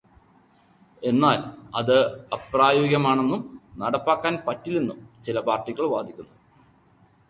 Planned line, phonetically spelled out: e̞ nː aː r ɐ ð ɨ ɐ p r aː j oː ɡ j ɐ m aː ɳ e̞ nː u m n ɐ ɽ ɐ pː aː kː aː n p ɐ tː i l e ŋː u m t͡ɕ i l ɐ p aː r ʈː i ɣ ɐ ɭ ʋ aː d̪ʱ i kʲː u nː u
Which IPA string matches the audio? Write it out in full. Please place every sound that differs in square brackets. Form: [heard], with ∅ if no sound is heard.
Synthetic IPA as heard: e̞ nː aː [l] ɐ ð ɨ ɐ p r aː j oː ɡ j ɐ m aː ɳ e̞ nː u m n ɐ ɽ ɐ pː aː kː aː n p ɐ tː i l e [nː] u m t͡ɕ i l ɐ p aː r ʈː i ɣ ɐ ɭ ʋ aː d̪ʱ i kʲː u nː u